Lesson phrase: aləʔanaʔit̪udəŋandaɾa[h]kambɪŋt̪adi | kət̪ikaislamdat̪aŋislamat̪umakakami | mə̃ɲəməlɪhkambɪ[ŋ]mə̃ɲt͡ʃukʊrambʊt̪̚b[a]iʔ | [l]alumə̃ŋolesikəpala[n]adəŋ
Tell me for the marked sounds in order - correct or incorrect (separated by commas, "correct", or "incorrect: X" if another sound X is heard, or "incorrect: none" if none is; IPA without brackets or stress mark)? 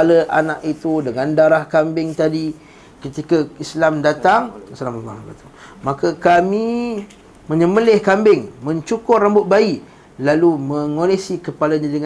correct, correct, correct, correct, incorrect: ɲ